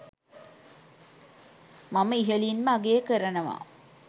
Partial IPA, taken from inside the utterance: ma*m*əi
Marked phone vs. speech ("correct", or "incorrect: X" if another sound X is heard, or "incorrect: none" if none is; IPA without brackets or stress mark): correct